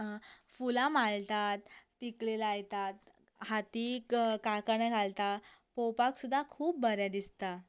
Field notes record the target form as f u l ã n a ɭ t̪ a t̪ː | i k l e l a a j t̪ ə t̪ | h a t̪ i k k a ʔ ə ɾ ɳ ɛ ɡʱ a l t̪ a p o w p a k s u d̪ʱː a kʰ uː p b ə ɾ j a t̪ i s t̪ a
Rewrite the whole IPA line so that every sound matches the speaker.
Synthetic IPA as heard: f u l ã m a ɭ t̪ a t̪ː | i k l e l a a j t̪ a t̪ | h a t̪ i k k a k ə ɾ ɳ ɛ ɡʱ a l t̪ a p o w p a k s u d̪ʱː a kʰ uː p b ə ɾ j a d̪ i s t̪ a